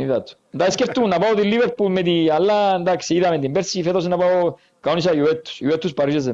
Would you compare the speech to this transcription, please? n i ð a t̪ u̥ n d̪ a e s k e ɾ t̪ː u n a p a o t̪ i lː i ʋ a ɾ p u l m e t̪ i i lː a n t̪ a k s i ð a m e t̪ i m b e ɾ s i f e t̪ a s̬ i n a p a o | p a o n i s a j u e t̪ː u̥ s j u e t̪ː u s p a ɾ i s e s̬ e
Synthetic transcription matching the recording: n i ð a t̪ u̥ n d̪ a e s k e ɾ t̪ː u n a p a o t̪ i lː i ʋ e ɾ p u l m e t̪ i a lː a n d̪ a k s i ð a m e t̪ i m b e ɾ s i f e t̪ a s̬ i n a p a o | k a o n i s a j u e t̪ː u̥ s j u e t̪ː u s p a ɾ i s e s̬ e